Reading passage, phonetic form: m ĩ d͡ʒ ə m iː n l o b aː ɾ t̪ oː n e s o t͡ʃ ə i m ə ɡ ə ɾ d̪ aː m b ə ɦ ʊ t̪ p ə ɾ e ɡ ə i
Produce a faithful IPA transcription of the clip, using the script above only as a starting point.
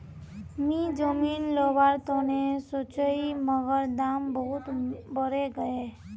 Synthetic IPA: m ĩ d͡ʒ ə m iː n l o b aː ɾ t̪ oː n e s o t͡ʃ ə i m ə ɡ ə ɾ d̪ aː m b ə ɦ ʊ t̪ b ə ɾ e ɡ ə e